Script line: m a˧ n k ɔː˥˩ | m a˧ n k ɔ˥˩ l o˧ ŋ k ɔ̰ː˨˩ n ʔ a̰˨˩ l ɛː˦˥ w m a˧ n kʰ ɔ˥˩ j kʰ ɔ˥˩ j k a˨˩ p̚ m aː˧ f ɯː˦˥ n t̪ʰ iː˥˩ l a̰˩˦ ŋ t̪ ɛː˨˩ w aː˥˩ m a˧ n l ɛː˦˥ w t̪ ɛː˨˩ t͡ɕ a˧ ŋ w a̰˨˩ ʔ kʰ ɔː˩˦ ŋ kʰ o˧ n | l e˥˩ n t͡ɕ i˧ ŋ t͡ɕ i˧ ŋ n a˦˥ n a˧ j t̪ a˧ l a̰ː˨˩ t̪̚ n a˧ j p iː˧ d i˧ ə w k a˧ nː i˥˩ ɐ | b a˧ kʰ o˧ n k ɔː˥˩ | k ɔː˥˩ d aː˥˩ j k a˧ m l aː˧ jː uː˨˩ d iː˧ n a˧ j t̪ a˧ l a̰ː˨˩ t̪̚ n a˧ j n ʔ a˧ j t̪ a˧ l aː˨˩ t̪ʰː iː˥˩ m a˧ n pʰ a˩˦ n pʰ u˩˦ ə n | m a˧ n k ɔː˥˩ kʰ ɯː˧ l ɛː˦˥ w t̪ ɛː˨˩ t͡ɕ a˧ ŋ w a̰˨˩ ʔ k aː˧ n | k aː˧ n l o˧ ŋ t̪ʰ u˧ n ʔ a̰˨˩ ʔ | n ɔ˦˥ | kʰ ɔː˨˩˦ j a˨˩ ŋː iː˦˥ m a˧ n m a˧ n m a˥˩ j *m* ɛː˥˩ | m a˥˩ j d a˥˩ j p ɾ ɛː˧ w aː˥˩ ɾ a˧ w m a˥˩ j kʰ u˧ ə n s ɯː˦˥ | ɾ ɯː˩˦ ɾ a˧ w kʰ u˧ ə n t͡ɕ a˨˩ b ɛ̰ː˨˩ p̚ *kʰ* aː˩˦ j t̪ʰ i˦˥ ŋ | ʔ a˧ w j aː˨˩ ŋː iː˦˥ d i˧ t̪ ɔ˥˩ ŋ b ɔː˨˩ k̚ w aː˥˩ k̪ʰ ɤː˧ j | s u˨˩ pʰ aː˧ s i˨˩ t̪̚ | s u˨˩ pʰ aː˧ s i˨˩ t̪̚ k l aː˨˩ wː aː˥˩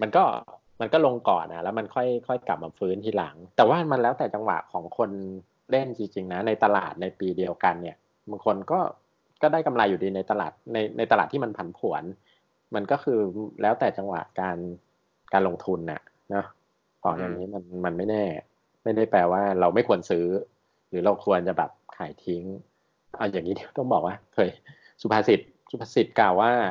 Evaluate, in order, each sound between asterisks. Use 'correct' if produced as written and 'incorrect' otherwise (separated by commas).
incorrect, correct